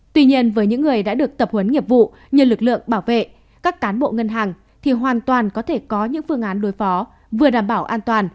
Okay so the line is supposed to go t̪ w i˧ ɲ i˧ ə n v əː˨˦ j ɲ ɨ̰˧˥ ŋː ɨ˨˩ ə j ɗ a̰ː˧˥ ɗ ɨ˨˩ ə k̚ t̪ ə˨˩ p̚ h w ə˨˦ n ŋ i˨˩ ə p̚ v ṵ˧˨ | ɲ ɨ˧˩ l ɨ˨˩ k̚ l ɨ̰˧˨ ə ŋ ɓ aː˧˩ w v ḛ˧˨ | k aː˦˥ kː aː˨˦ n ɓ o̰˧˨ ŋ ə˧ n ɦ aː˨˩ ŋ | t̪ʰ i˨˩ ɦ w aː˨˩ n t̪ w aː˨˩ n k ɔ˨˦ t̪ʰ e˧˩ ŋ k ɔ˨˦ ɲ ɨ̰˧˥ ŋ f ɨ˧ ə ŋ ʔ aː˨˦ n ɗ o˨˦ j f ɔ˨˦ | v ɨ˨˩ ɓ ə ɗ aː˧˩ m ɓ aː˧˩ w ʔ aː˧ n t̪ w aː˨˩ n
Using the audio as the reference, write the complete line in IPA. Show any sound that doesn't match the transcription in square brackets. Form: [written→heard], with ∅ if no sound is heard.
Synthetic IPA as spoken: t̪ w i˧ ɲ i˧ ə n v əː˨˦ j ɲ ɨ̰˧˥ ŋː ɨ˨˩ ə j ɗ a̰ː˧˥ ɗ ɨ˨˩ ə k̚ t̪ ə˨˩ p̚ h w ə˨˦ n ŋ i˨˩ ə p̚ v ṵ˧˨ | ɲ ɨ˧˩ l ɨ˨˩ k̚ l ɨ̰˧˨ ə ŋ ɓ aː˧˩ w v ḛ˧˨ | k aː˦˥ kː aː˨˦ n ɓ o̰˧˨ ŋ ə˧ n ɦ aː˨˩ ŋ | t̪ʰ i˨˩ ɦ w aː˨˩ n t̪ w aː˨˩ n k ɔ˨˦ t̪ʰ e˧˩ [ŋ→∅] k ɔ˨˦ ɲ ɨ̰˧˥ ŋ f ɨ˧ ə ŋ ʔ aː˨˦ n ɗ o˨˦ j f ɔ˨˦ | v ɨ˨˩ [ɓ→∅] ə ɗ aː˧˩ m ɓ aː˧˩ w ʔ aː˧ n t̪ w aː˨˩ n